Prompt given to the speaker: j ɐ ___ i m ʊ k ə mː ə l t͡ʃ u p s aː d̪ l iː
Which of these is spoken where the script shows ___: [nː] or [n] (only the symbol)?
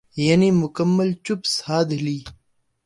n